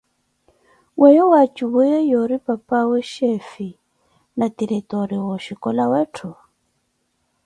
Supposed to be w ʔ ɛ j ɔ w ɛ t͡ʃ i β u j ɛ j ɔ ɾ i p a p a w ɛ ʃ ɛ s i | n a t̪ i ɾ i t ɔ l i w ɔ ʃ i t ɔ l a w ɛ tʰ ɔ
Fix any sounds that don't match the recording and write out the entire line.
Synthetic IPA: w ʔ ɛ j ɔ w a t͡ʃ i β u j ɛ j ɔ ɾ i p a p a w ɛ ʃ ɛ f i | n a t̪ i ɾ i t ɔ ɾ i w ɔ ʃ i k ɔ l a w ɛ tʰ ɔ

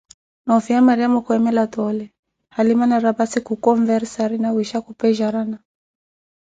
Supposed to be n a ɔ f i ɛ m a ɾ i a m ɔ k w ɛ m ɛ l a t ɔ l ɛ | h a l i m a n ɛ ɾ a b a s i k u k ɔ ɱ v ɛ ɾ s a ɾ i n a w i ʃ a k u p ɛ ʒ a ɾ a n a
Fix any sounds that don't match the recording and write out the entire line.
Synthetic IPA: n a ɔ f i a m a ɾ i a m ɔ k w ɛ m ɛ l a t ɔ l ɛ | h a l i m a n a ɾ a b a s i k u k ɔ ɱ v ɛ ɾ s a ɾ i n a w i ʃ a k u p ɛ ʒ a ɾ a n a

